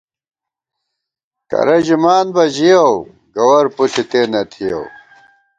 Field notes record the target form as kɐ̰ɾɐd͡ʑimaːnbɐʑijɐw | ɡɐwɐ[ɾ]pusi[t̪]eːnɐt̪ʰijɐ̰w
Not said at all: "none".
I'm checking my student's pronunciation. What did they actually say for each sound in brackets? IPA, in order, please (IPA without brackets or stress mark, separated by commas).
ɾ, t̪